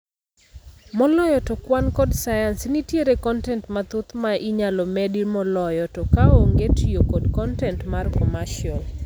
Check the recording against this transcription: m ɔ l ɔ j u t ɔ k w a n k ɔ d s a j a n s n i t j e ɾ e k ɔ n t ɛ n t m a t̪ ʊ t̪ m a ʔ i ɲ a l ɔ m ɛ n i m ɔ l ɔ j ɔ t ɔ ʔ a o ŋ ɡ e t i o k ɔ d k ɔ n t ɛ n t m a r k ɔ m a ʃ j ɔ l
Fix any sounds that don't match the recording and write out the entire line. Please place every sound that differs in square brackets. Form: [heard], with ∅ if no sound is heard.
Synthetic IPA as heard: m ɔ l ɔ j [ɔ] t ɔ k w a n k ɔ d s a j a n s n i t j e ɾ e k ɔ n t ɛ n t m a t̪ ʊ t̪ m a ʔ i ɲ a l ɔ m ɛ [d] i m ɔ l ɔ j ɔ t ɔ [k] a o ŋ ɡ e t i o k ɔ d k ɔ n t ɛ n t m a r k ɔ m a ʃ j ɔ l